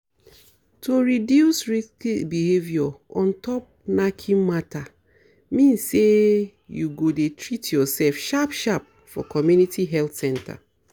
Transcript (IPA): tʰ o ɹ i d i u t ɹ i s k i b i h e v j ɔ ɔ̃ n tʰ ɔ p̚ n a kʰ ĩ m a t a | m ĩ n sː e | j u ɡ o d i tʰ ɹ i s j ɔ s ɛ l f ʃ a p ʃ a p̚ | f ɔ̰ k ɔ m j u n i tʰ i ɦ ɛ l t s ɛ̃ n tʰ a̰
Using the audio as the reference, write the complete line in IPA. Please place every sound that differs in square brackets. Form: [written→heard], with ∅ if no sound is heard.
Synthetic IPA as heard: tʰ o ɹ i d [i→j] u [t→s] ɹ i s k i b i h e v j ɔ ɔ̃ n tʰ ɔ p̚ n a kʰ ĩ m a t a | m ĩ n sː e | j u ɡ o d [i→e] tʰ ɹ i [s→t] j ɔ s ɛ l f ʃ a p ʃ a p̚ | f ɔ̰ k ɔ m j u n i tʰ i ɦ ɛ l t s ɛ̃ n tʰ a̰